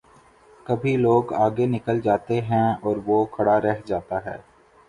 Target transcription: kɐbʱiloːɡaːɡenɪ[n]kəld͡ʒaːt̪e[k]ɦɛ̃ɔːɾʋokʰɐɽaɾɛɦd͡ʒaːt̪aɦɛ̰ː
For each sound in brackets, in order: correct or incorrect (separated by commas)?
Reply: incorrect, incorrect